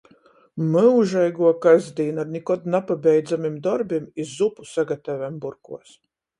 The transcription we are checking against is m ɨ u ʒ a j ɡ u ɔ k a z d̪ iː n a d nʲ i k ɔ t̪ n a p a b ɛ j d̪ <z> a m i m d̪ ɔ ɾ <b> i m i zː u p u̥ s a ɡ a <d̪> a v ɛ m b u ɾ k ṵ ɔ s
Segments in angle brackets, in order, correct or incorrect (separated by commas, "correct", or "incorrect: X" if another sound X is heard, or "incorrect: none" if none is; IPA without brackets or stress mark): correct, correct, incorrect: t̪